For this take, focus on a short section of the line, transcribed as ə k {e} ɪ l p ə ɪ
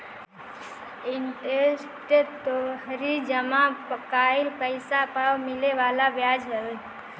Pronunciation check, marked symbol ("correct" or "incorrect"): incorrect